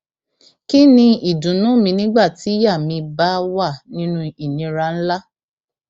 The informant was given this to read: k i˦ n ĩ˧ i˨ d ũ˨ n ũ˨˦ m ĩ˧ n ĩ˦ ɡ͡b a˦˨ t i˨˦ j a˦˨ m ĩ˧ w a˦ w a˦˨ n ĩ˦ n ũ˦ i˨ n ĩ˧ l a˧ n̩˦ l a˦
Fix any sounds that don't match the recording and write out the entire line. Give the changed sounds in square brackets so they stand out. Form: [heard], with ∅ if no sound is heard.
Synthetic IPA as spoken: k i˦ n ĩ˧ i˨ d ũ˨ n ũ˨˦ m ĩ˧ n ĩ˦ ɡ͡b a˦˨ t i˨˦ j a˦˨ m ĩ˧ [b] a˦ w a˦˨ n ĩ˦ n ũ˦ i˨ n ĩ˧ [ɾ] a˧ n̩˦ l a˦